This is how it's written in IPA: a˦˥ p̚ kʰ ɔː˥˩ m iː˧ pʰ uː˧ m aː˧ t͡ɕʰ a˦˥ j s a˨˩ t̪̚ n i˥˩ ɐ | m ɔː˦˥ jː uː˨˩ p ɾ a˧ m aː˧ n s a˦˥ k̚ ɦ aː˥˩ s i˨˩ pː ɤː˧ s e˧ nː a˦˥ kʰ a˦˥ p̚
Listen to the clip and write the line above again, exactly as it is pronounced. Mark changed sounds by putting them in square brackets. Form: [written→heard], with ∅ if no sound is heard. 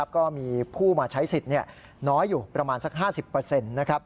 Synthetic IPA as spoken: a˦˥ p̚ [kʰ→k] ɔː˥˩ m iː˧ pʰ [uː˧→uː˥˩] m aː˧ t͡ɕʰ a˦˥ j s [a˨˩→i˨˩] t̪̚ n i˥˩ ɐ | [m→n] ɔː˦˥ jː uː˨˩ p ɾ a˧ m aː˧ n s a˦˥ k̚ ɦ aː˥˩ s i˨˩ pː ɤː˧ s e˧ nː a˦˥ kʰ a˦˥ p̚